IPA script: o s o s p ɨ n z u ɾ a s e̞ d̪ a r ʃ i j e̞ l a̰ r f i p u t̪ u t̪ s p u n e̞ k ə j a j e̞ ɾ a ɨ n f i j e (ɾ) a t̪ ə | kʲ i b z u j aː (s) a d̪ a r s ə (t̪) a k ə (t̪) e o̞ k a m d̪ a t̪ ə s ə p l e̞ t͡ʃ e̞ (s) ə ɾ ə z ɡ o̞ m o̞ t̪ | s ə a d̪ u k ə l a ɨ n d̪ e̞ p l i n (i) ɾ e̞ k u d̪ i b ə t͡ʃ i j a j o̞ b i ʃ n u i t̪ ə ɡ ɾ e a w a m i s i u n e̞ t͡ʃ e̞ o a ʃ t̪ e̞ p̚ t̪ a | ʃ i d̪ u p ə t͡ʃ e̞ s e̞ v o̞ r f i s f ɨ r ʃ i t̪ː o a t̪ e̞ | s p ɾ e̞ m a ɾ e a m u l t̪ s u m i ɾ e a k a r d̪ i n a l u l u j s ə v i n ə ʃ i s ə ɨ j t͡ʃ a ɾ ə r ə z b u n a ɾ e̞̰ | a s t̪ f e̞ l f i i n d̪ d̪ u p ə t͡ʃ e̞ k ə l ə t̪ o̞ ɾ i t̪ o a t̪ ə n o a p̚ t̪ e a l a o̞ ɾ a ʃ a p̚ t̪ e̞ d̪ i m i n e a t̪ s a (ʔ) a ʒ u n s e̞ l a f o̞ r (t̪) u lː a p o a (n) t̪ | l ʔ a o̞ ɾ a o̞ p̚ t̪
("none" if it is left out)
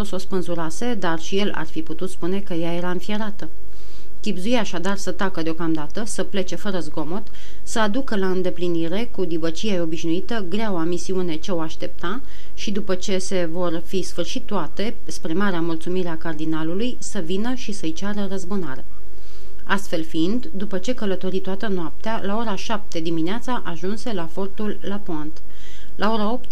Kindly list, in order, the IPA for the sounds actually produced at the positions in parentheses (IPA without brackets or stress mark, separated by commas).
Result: ɾ, ʃ, t̪, d̪, f, i, ʔ, t̪, n